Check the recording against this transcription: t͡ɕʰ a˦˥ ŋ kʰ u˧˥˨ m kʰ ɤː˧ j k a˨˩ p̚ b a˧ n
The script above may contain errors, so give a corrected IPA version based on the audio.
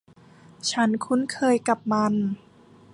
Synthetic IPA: t͡ɕʰ a˦˥ n kʰ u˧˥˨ n kʰ ɤː˧ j k a˨˩ p̚ m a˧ n